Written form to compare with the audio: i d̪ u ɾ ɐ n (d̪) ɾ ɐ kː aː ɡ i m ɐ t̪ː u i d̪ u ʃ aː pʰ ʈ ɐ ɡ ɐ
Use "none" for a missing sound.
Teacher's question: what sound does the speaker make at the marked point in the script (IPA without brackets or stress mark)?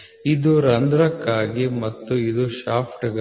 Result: d̪